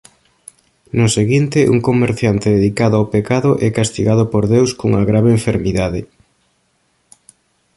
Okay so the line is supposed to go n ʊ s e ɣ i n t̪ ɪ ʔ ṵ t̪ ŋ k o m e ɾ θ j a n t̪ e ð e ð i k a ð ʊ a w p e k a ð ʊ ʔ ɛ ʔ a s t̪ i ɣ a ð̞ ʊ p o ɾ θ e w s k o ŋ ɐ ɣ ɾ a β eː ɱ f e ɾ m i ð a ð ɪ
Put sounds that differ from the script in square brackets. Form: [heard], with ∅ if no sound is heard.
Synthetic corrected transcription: n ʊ s e ɣ i n t̪ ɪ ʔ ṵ [∅] ŋ k o m e ɾ θ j a n t̪ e ð e ð i k a ð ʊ a w p e k a ð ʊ ʔ ɛ [k] a s t̪ i ɣ a ð̞ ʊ p o ɾ [ð] e w s k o ŋ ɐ ɣ ɾ a β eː ɱ f e ɾ m i ð a ð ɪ